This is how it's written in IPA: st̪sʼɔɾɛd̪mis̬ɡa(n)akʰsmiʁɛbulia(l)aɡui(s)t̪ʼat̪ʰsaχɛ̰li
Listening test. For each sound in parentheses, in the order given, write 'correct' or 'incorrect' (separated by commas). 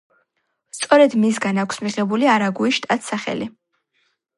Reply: correct, incorrect, incorrect